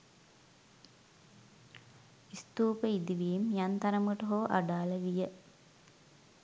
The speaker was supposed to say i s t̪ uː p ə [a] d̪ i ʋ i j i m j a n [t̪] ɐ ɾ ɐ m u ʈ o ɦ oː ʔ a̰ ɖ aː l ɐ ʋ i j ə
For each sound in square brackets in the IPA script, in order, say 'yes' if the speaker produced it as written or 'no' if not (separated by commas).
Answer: no, yes